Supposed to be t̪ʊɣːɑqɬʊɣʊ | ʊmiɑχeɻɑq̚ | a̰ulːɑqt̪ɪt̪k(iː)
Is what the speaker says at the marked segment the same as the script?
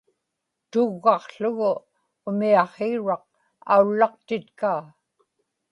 no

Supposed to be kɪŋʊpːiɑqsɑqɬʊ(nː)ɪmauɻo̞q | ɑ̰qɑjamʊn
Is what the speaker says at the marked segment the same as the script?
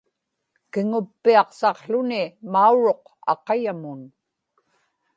no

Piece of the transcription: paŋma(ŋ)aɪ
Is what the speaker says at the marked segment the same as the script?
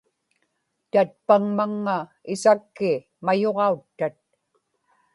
no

